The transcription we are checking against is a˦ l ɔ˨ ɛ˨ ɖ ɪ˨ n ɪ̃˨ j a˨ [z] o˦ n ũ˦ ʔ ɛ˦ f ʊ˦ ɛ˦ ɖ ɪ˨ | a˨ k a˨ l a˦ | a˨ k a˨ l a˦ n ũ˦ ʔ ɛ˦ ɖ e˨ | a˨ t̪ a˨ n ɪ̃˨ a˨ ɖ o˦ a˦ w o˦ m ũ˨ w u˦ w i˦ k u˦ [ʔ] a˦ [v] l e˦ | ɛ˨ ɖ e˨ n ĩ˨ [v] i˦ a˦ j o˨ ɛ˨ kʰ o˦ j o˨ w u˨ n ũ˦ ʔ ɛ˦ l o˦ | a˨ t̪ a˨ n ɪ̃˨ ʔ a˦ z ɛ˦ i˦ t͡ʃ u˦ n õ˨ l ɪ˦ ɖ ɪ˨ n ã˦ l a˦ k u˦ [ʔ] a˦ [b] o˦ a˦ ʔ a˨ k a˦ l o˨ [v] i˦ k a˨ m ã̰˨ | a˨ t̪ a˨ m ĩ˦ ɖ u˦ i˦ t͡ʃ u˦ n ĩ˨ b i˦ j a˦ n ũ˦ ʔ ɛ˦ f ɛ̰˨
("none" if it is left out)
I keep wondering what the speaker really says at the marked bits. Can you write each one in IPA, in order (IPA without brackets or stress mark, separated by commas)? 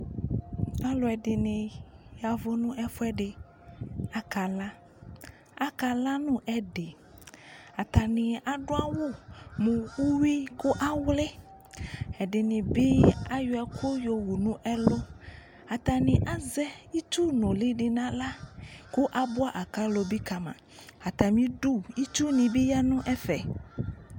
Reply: v, ʔ, w, b, ʔ, b, b